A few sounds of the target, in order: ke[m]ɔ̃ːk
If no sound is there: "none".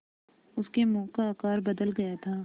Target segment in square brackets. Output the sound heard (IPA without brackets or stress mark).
m